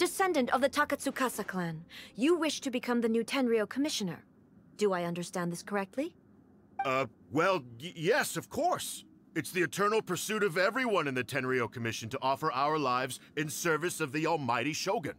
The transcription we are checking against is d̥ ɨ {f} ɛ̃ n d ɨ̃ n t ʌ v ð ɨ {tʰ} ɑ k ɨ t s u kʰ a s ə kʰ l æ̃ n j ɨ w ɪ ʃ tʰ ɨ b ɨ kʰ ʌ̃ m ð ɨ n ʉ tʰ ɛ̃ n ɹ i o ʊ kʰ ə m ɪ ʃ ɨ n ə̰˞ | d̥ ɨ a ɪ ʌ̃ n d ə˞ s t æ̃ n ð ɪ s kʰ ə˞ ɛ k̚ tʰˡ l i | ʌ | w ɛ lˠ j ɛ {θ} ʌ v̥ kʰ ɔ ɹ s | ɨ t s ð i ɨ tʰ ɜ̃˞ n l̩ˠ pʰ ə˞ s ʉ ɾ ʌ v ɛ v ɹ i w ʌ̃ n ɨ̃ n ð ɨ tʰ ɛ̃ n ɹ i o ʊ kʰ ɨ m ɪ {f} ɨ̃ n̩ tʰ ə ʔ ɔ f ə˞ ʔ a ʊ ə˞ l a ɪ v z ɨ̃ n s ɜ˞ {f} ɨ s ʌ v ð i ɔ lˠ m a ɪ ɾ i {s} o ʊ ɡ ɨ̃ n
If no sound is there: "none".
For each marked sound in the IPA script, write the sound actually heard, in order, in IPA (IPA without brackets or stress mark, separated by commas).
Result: s, tʰ, s, ʃ, v, ʃ